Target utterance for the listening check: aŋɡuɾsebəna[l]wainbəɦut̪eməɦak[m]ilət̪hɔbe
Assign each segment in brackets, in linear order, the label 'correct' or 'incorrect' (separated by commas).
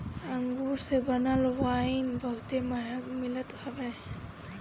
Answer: correct, correct